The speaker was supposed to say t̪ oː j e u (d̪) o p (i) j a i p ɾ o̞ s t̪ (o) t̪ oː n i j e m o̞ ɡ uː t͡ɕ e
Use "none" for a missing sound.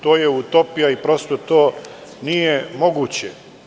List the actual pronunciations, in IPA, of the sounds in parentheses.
t̪, i, o

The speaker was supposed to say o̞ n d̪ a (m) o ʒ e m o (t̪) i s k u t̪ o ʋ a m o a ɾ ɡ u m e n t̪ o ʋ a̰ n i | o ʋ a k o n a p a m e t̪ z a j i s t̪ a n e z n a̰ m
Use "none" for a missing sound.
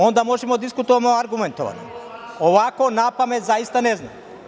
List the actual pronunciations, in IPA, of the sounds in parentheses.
m, d̪

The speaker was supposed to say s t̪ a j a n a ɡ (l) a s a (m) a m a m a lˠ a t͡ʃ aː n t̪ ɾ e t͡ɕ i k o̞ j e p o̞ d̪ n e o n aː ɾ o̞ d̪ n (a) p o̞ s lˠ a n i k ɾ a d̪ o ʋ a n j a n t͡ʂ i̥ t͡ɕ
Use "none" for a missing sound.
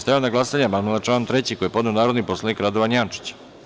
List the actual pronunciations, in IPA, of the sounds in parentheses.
l, ɲ, i

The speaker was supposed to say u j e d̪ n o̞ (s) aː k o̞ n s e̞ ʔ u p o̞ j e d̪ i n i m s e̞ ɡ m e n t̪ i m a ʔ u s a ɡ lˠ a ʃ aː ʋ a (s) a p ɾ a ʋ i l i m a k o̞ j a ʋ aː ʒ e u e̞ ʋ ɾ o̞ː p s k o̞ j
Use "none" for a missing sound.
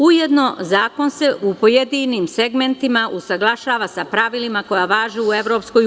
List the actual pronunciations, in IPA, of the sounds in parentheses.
z, s

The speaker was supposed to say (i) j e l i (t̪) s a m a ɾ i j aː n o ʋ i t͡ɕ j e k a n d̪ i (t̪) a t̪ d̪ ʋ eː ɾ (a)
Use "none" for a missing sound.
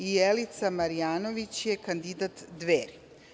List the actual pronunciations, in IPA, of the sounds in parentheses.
i, t̪, d̪, i

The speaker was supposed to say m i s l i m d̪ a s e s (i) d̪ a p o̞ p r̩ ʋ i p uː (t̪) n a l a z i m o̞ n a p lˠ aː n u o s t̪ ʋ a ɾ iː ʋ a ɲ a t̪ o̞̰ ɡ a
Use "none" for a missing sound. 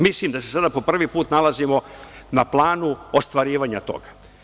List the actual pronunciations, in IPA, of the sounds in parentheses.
a, t̪

